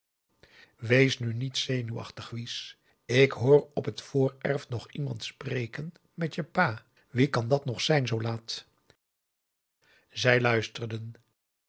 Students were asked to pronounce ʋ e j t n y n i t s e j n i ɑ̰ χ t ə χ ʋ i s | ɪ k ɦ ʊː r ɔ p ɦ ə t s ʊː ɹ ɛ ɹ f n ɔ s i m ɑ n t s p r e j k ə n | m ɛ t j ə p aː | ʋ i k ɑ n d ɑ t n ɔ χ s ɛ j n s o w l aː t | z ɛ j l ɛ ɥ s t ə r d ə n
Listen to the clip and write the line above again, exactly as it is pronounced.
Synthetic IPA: ʋ e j s n y n i t s e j n y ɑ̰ χ t ə χ ʋ i s | ɪ k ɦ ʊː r ɔ p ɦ ə t f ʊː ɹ ɛ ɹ f n ɔ χ i m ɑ n t s p r e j k ə n | m ɛ t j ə p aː | ʋ i k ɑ n d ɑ t n ɔ χ s ɛ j n z o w l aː t | z ɛ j l œ ɥ s t ə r d ə n